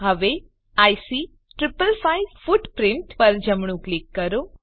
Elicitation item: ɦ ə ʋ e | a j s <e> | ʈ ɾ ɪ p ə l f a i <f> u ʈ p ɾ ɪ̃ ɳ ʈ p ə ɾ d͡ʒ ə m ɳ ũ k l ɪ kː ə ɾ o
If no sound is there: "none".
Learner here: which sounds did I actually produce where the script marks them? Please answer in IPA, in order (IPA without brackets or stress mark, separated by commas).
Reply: i, f